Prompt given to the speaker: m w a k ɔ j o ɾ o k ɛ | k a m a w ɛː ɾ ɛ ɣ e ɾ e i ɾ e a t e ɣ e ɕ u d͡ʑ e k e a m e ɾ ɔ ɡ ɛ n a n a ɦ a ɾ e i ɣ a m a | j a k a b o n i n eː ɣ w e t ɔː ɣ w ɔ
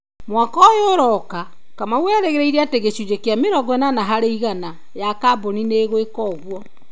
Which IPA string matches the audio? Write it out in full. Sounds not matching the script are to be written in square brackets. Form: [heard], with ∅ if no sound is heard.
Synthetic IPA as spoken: m w a k ɔ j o ɾ [ɔ] k [a] | k a m a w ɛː ɾ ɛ ɣ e ɾ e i ɾ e a t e ɣ e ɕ u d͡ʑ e k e a m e ɾ ɔ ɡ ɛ n a n a ɦ a ɾ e i ɣ a [n] a | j a k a b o n i n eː ɣ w e [k] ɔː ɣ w ɔ